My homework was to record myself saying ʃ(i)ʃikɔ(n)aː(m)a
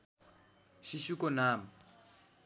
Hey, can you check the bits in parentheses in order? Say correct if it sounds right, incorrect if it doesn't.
correct, correct, correct

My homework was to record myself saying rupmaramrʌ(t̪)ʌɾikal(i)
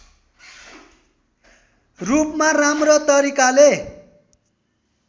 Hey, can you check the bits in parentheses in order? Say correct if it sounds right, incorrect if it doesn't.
correct, incorrect: e

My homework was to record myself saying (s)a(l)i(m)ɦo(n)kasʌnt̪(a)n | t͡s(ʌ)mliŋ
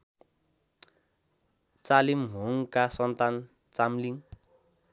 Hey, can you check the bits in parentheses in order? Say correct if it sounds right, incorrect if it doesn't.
incorrect: t͡s, correct, correct, incorrect: ŋ, correct, incorrect: a

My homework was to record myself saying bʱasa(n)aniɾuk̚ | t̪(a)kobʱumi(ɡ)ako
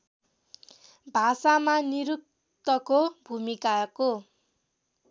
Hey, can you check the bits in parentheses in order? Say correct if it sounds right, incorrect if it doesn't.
incorrect: m, incorrect: ʌ, incorrect: k

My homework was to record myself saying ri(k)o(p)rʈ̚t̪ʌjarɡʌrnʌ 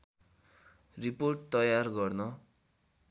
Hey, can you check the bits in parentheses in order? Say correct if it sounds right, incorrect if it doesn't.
incorrect: p, incorrect: none

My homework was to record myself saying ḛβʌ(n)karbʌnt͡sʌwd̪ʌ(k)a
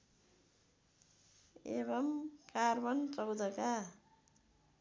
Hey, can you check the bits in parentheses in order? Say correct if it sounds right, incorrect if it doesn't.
incorrect: m, correct

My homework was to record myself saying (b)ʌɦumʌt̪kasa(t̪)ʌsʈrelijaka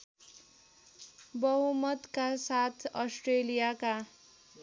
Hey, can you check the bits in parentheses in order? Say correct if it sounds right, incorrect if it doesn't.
correct, incorrect: t̪ʰ

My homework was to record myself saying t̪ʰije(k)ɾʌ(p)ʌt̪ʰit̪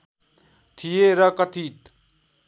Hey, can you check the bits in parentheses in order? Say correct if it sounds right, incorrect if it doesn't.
incorrect: none, incorrect: k

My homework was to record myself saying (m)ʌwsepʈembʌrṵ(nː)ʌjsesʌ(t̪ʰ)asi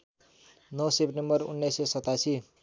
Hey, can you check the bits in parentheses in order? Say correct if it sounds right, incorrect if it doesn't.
incorrect: n, correct, incorrect: t̪

